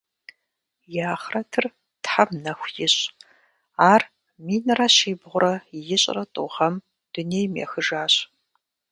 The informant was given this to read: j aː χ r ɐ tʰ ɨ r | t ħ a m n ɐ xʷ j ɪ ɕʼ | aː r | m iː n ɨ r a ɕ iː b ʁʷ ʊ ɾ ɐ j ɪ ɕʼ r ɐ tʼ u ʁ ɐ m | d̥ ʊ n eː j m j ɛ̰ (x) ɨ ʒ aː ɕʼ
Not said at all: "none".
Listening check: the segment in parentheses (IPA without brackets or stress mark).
x